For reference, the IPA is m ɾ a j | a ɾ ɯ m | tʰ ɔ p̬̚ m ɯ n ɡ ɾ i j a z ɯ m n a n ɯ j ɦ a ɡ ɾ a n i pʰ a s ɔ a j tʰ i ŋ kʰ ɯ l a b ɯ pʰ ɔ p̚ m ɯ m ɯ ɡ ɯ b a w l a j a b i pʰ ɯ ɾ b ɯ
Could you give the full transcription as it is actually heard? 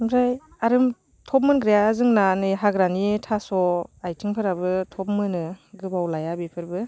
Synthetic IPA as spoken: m ɾ a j | a ɾ ɯ m | tʰ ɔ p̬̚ m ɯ n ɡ ɾ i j a z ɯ ŋ n a n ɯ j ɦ a ɡ ɾ a n i tʰ a s ɔ a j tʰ i ŋ pʰ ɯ ɾ a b ɯ tʰ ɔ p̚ m ɯ n ɯ ɡ ɯ b a w l a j a b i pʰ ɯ ɾ b ɯ

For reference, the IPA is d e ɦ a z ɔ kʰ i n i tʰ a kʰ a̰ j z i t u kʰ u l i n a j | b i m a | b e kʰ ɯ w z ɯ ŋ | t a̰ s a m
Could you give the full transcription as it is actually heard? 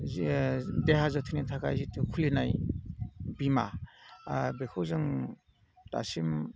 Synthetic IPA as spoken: d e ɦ a z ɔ tʰ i n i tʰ a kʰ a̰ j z i t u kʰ u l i n a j | b i m a | b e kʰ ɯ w z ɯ ŋ | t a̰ s i m

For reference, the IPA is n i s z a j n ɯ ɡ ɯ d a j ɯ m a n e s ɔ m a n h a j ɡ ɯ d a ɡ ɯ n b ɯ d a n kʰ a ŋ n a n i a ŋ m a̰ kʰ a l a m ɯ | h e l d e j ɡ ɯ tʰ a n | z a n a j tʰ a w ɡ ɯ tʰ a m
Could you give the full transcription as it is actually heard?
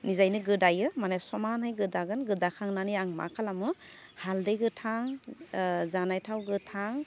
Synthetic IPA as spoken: n i z a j n ɯ ɡ ɯ d a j ɯ m a n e s ɔ m a n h a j ɡ ɯ d a ɡ ɯ n ɡ ɯ d a kʰ a ŋ n a n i a ŋ m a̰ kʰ a l a m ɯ | h a l d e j ɡ ɯ tʰ a ŋ | z a n a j tʰ a w ɡ ɯ tʰ a ŋ

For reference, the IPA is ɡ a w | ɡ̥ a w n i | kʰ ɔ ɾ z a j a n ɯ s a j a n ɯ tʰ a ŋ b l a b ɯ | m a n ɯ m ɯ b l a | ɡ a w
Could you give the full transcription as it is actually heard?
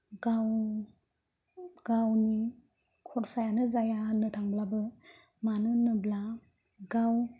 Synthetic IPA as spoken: ɡ a w | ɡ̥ a w n i | kʰ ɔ ɾ s a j a n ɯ z a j a n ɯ tʰ a ŋ b l a b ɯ | m a n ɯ n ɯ b l a | ɡ a w

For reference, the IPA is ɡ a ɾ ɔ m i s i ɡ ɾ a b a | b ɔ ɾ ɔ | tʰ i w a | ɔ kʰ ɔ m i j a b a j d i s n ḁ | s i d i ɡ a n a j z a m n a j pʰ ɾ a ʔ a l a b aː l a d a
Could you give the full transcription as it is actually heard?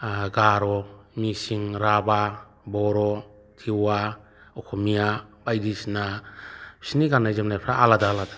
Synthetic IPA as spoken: ɡ a ɾ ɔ m i s i ŋ ɾ a b a | b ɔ ɾ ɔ | tʰ i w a | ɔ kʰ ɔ m i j a b a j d i s n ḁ | s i n i ɡ a n a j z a m n a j pʰ ɾ a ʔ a l a d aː l a d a

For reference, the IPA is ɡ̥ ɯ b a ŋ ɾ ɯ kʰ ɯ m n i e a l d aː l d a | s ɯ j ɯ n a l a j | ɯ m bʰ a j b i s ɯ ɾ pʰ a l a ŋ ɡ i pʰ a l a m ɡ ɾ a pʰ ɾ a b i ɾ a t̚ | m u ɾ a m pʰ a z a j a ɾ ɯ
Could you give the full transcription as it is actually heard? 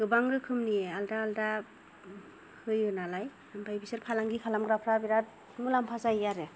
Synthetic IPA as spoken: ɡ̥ ɯ b a ŋ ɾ ɯ kʰ ɯ m n i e a l d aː l d a | h ɯ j ɯ n a l a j | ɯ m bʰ a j b i s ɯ ɾ pʰ a l a ŋ ɡ i kʰ a l a m ɡ ɾ a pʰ ɾ a b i ɾ a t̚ | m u l a m pʰ a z a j a ɾ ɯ

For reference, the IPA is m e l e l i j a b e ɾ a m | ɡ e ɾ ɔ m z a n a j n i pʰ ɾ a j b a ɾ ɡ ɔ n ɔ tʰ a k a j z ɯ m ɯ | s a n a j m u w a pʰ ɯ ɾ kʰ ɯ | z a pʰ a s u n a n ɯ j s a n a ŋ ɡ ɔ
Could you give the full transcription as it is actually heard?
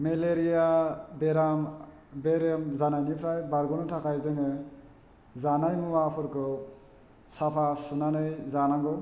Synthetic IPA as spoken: m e l e ɾ i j a b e ɾ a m | b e ɾ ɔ m z a n a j n i pʰ ɾ a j b a ɾ ɡ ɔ n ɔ tʰ a k a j z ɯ ŋ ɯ | z a n a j m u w a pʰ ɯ ɾ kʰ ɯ | s a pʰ a s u n a n ɯ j z a n a ŋ ɡ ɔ

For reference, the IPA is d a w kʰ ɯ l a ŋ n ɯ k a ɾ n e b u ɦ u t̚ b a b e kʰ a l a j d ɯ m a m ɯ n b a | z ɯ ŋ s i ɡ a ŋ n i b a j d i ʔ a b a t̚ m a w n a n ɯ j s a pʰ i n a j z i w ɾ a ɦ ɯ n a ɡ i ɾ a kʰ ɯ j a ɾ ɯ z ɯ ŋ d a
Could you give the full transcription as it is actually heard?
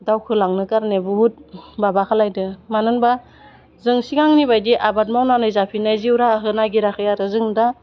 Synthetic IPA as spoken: d a w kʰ ɯ l a ŋ n ɯ k a ɾ n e b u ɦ u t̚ b a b a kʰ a l a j d ɯ m a n ɯ n b a | z ɯ ŋ s i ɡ a ŋ n i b a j d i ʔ a b a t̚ m a w n a n ɯ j z a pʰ i n a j z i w ɾ a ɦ ɯ n a ɡ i ɾ a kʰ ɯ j a ɾ ɯ z ɯ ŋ d a

